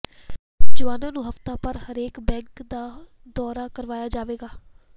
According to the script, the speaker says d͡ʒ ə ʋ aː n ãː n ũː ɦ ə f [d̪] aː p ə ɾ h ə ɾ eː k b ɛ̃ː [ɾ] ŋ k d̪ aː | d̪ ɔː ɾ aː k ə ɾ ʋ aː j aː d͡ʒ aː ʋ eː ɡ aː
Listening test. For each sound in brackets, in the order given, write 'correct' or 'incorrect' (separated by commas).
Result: incorrect, incorrect